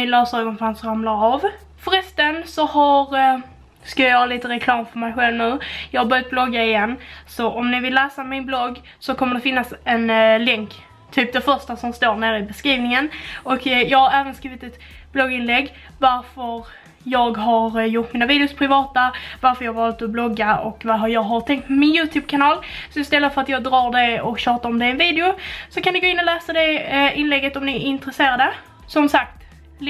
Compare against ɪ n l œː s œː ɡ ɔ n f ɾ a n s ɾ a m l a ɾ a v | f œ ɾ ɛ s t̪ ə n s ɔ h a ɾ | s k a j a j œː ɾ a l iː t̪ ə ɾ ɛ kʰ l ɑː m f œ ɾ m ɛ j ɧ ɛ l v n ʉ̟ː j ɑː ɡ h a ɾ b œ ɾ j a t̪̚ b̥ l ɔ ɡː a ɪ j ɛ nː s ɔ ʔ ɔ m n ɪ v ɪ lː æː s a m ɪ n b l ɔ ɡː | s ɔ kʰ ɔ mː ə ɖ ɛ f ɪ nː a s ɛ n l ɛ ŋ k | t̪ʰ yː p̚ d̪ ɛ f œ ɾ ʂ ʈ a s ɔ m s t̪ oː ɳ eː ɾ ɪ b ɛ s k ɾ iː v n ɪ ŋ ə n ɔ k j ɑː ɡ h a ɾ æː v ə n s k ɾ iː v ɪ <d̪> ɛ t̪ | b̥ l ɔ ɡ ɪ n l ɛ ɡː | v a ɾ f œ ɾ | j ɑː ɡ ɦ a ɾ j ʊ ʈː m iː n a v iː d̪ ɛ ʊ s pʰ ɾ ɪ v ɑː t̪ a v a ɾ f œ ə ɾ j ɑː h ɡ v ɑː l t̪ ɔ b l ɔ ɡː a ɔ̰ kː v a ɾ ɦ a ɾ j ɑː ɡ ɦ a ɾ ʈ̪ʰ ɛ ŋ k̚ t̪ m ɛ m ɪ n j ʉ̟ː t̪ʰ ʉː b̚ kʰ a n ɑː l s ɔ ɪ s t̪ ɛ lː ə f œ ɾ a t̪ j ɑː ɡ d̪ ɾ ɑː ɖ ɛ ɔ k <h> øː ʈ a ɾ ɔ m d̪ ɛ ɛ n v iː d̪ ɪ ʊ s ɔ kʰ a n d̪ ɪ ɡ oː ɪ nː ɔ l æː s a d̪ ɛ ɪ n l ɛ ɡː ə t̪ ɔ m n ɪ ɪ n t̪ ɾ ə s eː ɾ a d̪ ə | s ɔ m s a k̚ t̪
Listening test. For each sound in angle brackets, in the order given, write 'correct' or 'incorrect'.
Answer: incorrect, incorrect

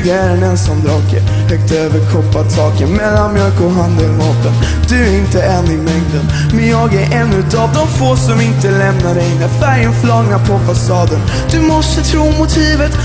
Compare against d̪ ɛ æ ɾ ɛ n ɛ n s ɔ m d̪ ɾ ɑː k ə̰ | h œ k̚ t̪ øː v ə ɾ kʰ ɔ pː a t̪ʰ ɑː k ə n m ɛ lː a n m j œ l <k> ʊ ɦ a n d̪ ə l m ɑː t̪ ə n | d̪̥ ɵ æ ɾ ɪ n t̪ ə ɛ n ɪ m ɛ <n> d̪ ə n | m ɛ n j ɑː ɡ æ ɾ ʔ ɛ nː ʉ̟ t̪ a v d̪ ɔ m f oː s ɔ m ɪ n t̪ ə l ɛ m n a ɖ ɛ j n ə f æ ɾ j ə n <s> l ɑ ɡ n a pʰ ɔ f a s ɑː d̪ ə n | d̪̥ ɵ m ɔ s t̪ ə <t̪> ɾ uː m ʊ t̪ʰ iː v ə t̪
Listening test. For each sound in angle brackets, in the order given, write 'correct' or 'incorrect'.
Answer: correct, incorrect, incorrect, incorrect

